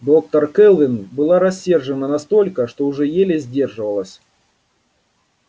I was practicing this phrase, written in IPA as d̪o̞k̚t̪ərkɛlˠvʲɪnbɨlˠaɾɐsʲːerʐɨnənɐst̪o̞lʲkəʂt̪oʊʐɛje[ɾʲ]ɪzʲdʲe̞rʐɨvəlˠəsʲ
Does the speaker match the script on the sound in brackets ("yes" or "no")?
no